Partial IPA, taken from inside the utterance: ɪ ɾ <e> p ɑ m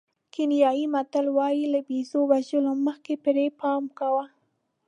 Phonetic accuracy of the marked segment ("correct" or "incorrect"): correct